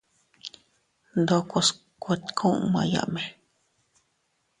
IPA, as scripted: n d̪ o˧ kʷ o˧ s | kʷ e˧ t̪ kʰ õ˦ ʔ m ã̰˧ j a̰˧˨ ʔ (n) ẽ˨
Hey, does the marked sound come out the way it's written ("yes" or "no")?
no